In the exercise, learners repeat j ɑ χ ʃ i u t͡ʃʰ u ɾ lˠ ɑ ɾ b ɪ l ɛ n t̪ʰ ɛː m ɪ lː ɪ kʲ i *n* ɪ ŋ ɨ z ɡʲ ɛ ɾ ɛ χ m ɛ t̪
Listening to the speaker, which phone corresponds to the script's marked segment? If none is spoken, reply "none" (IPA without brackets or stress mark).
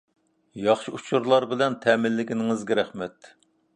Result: n